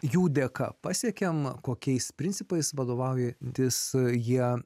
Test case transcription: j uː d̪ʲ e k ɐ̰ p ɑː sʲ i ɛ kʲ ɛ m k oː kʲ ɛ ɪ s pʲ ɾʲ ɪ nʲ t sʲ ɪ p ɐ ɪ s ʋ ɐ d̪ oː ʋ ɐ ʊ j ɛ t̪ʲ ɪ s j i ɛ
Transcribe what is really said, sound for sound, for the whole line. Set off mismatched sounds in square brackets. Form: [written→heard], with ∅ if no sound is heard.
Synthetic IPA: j uː d̪ʲ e k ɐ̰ p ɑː sʲ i ɛ kʲ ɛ m k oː kʲ ɛ ɪ s pʲ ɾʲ ɪ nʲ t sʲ ɪ p ɐ ɪ s ʋ ɐ d̪ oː ʋ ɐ ʊ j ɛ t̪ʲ ɪ s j i ɛ